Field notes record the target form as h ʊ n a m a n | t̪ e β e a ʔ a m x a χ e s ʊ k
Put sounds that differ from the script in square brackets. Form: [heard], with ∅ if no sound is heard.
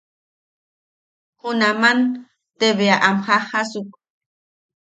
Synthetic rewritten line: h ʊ n a m a n | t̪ e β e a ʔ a m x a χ [a] s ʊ k